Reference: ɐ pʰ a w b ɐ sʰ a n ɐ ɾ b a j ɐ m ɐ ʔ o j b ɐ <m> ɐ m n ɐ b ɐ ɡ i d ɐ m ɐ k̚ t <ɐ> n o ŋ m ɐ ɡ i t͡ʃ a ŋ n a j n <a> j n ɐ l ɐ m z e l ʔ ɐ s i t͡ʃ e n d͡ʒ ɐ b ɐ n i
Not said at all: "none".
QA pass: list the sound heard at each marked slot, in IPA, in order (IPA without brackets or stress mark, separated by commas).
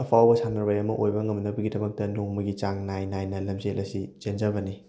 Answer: ŋ, ɐ, a